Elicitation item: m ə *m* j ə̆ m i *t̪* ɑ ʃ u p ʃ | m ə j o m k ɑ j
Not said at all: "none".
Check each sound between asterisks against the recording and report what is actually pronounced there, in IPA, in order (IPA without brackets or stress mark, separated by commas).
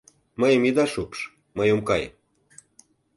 none, d̪